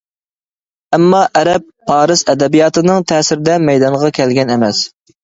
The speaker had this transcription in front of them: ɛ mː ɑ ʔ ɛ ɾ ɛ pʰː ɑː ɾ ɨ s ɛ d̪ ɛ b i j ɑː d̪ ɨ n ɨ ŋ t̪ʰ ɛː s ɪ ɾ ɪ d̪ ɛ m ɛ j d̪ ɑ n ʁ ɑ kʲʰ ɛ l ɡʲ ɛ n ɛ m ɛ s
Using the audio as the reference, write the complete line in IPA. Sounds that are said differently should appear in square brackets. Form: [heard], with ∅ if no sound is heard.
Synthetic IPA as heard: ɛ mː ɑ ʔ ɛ ɾ ɛ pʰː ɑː ɾ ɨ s ɛ d̪ ɛ b i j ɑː [t̪] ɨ n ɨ ŋ t̪ʰ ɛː s ɪ ɾ ɪ d̪ ɛ m ɛ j d̪ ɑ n ʁ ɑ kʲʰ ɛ l ɡʲ ɛ n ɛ m ɛ s

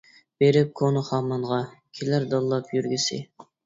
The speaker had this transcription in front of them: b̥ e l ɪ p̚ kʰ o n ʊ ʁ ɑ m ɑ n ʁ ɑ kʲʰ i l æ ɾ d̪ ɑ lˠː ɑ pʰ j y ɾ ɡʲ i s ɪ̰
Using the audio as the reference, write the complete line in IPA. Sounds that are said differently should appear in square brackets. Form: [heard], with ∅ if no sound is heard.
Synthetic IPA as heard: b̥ e [ɾ] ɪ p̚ kʰ o n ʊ [χ] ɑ m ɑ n ʁ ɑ kʲʰ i l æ ɾ d̪ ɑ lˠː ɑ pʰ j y ɾ ɡʲ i s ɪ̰

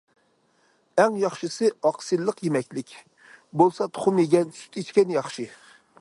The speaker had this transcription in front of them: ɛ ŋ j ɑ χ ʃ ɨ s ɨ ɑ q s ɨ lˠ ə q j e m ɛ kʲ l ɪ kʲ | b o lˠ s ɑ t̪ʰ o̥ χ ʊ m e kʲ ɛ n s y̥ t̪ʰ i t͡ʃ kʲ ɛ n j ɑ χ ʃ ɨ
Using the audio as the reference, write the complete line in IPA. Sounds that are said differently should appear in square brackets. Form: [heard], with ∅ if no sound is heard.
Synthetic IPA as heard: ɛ ŋ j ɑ χ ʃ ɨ s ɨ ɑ q s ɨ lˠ ə q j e m ɛ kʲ l ɪ kʲ | b o lˠ s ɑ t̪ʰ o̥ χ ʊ m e [ɡʲ] ɛ n s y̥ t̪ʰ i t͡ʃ kʲ ɛ n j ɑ χ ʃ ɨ

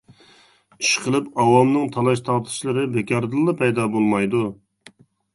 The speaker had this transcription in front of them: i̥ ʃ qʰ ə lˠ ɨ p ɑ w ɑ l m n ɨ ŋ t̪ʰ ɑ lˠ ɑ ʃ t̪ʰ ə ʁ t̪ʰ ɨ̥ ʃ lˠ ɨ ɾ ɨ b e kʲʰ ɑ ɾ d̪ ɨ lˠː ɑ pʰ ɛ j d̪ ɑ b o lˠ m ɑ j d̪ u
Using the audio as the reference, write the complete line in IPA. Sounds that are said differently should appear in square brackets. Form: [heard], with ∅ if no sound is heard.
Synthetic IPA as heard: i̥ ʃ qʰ ə lˠ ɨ p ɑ w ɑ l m n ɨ ŋ t̪ʰ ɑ lˠ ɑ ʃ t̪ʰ [ɑ] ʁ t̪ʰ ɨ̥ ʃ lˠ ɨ ɾ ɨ b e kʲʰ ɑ ɾ d̪ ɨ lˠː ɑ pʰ ɛ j d̪ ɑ b o lˠ m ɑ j d̪ u

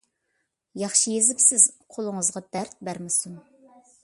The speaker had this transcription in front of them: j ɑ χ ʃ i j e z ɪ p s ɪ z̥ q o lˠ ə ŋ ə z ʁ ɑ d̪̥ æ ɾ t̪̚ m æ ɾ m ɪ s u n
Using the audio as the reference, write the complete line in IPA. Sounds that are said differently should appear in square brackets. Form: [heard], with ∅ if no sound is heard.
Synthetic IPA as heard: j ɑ χ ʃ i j e z ɪ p s ɪ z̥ [qʰ] o lˠ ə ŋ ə z ʁ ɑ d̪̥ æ ɾ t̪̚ [b] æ ɾ m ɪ s u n

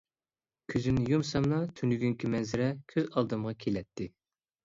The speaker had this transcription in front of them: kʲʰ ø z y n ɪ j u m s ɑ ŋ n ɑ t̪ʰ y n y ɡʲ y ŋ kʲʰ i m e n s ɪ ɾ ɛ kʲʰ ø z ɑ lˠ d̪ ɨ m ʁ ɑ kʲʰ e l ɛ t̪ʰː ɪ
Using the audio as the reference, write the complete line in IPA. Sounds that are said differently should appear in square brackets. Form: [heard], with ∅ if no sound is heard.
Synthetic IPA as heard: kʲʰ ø z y n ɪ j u m s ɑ [m] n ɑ t̪ʰ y n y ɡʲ y ŋ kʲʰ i m [ɛ] n [z] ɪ ɾ ɛ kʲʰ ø z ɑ lˠ d̪ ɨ m ʁ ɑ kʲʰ e l ɛ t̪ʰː ɪ

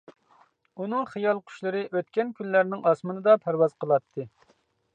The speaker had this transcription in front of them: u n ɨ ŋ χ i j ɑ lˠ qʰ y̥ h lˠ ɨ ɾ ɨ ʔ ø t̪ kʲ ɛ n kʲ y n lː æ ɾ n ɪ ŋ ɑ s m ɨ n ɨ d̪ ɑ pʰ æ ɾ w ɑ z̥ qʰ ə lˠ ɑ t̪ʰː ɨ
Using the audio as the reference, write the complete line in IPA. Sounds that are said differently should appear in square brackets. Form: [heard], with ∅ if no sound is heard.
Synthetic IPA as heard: u n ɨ ŋ χ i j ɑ lˠ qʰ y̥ [ʃ] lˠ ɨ ɾ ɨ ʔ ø t̪ kʲ ɛ n kʲ y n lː æ ɾ n ɪ ŋ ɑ s m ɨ n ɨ d̪ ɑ pʰ æ ɾ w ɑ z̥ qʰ ə lˠ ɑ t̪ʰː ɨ

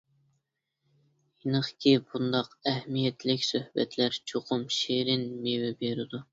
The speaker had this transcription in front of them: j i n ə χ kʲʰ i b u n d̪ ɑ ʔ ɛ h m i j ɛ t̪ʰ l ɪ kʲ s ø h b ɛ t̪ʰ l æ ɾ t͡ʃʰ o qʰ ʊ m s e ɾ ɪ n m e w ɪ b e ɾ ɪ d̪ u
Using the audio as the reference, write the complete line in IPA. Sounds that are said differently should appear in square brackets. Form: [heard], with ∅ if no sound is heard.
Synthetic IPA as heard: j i n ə χ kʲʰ i b u n d̪ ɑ [q] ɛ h m i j ɛ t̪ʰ l ɪ kʲ s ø h b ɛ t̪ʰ l æ ɾ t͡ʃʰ o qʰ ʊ m [ʃ] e ɾ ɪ n m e w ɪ b e ɾ ɪ d̪ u

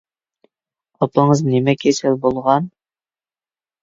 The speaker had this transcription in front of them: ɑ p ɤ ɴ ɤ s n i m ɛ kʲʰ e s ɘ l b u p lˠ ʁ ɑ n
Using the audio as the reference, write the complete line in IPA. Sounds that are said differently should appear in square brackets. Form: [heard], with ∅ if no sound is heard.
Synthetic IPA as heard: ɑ p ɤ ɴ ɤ [z] n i m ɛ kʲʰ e s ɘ l b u [∅] lˠ ʁ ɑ n

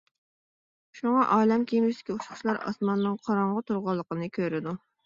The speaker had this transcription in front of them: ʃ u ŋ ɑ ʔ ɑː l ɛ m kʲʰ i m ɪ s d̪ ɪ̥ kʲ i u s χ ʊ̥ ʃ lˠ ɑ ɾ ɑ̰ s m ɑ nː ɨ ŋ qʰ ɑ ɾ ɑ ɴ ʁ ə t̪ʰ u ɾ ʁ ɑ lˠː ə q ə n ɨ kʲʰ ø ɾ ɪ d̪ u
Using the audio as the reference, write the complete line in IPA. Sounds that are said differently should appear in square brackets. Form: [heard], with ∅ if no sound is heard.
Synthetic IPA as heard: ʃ u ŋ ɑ ʔ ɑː l ɛ m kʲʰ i m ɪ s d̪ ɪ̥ kʲ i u [ʃ] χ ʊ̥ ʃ lˠ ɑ ɾ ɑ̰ s m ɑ nː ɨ ŋ qʰ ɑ ɾ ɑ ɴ ʁ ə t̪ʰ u ɾ ʁ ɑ lˠː ə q ə n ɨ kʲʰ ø ɾ ɪ d̪ u

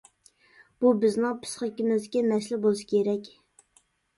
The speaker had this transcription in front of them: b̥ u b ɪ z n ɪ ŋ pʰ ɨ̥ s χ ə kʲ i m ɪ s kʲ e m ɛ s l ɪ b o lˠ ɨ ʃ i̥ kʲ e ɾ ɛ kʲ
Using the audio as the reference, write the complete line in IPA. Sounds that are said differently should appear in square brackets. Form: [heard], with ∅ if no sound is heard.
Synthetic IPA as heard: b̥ u b ɪ z n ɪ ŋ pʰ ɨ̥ s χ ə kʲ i m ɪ [z] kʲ [ɛ] m ɛ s l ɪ b o lˠ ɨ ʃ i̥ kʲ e ɾ ɛ kʲ

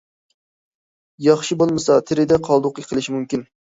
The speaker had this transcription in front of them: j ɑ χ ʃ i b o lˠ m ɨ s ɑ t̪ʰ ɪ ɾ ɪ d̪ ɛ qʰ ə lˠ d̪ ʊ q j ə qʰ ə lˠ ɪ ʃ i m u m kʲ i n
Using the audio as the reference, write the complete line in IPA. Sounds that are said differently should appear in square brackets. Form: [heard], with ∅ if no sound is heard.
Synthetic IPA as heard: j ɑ χ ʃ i b o lˠ m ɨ s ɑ t̪ʰ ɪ ɾ ɪ d̪ ɛ qʰ [ɑ] lˠ d̪ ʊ q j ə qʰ ə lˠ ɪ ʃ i m u m kʲ i n

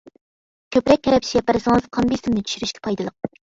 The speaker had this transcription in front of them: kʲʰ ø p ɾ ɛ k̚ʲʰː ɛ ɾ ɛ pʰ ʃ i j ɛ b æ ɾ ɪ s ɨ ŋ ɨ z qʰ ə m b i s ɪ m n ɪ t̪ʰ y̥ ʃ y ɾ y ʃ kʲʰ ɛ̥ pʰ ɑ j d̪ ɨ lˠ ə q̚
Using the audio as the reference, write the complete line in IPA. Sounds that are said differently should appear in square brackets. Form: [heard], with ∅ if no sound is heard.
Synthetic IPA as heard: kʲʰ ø p ɾ ɛ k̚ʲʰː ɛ ɾ ɛ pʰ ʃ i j ɛ [p] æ ɾ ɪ s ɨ ŋ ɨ z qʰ [ɑ] m b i s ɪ m n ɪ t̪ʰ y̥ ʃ y ɾ y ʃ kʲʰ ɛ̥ pʰ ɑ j d̪ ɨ lˠ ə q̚

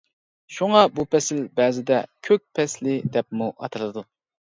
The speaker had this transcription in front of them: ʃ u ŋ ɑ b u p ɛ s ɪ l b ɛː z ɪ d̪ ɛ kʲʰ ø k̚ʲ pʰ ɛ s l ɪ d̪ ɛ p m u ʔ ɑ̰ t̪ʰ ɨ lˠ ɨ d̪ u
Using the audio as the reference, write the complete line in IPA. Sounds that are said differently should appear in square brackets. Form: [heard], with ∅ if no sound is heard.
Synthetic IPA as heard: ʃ u ŋ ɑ b u p ɛ s ɪ l b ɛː z ɪ d̪ ɛ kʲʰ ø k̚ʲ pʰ ɛ s l ɪ d̪ ɛ p m u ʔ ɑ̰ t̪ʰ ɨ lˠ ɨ d̪ u

